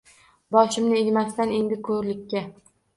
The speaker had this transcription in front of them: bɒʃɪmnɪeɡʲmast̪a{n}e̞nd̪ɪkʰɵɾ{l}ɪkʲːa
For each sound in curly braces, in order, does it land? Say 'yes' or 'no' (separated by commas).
yes, yes